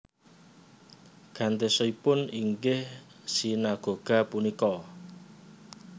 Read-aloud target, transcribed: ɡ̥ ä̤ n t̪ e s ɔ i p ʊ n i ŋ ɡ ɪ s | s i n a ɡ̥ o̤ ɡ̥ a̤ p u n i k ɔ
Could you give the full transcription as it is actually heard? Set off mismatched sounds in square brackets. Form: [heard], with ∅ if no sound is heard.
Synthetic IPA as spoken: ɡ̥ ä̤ n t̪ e s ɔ i p ʊ n i ŋ ɡ ɪ [h] | s i n a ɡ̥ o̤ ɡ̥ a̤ p u n i k ɔ